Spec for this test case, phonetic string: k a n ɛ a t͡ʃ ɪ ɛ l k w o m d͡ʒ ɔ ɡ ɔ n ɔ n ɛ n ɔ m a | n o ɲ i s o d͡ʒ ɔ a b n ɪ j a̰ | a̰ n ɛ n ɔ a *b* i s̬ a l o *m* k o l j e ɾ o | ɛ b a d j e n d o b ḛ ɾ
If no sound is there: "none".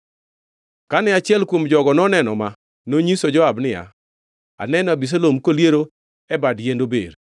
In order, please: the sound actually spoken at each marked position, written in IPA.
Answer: b, m

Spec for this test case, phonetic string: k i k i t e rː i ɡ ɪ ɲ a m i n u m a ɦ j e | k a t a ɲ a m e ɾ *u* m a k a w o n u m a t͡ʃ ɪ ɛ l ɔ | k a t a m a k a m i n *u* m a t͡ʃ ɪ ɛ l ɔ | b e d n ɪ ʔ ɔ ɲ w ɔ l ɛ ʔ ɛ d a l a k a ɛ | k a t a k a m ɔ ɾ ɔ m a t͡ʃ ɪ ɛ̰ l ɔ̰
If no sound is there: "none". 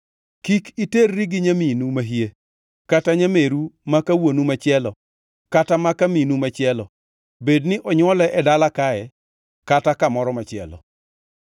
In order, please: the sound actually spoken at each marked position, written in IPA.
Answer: u, u

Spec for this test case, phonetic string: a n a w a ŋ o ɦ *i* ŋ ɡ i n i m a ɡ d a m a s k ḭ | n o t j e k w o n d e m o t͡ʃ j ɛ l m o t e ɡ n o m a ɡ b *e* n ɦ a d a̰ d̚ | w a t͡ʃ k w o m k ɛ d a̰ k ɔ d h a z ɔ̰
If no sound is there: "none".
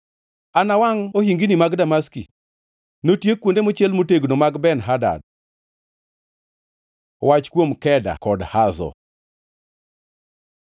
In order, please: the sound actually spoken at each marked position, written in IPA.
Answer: i, ɛ

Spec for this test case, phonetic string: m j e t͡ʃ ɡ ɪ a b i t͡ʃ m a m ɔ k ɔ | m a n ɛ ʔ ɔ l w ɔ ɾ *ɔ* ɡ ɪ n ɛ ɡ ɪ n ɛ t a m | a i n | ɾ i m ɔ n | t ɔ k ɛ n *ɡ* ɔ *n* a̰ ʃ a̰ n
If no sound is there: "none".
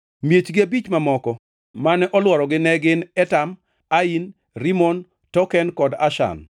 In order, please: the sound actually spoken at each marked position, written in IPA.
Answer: ɔ, k, d

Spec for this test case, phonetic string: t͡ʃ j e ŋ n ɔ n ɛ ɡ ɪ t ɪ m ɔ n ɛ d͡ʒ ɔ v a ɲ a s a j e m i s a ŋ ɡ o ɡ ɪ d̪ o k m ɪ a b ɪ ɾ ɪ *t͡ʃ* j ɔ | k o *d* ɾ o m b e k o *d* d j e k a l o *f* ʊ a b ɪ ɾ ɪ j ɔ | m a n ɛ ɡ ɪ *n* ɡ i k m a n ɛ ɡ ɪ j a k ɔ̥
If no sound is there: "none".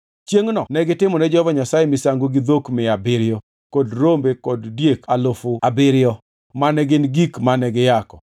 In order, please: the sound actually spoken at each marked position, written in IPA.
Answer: none, d, d, f, n

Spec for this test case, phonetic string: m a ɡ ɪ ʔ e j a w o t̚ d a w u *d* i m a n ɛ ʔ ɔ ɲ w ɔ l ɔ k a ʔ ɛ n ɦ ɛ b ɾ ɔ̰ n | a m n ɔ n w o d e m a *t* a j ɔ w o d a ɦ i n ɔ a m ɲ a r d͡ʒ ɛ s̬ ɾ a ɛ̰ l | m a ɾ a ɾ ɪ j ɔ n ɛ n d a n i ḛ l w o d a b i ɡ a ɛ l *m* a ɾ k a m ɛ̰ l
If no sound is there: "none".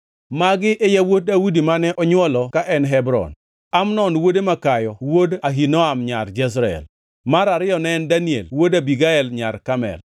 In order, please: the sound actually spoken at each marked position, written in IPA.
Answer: d, k, ɲ

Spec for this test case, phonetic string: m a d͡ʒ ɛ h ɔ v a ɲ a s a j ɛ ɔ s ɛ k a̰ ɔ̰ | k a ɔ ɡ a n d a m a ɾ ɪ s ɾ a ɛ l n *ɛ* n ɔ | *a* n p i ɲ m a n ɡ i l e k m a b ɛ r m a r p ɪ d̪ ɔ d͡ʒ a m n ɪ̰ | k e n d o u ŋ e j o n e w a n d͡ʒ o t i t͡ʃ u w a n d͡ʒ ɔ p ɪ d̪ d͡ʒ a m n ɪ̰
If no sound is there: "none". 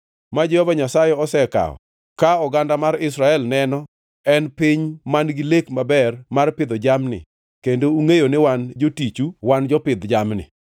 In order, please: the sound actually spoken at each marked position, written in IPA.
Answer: ɛ, ɛ

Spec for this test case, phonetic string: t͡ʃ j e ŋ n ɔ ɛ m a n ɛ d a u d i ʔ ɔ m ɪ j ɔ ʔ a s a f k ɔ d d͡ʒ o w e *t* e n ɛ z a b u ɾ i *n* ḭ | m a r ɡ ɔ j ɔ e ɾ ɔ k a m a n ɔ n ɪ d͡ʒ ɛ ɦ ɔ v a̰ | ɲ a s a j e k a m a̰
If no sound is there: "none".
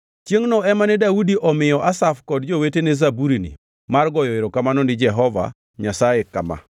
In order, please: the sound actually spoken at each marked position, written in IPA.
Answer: t, n

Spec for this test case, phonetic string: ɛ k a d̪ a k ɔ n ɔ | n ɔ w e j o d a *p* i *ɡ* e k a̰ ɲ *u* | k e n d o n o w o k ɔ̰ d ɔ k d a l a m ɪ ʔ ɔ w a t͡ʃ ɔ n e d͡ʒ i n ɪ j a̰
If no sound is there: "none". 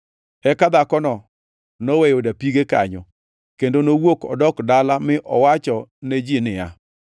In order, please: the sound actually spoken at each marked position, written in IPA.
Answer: p, ɡ, ɔ

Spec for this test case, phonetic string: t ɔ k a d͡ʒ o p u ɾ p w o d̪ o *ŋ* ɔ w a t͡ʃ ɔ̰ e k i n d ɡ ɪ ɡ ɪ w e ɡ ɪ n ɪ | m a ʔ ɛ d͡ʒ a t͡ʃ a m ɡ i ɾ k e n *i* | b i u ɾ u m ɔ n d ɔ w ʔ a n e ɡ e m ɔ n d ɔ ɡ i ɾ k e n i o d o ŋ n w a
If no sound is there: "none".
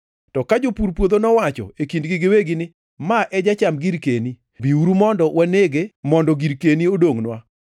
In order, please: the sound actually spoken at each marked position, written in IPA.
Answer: n, i

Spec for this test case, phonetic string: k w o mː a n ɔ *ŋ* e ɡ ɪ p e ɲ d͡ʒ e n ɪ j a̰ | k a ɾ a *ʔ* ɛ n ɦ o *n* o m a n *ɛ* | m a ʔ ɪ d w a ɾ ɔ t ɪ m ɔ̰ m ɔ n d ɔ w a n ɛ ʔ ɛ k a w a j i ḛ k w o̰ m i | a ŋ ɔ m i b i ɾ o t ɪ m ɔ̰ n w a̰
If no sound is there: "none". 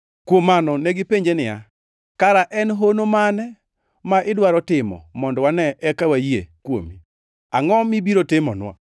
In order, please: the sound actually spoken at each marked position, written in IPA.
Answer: n, ʔ, n, ɛ

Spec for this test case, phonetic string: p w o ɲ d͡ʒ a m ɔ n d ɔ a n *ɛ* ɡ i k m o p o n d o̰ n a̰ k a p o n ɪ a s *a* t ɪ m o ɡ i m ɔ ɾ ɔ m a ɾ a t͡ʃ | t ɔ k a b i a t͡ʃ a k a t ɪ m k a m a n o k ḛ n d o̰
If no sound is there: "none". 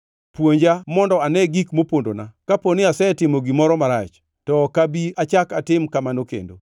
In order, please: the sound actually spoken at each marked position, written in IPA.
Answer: ɛ, ɛ

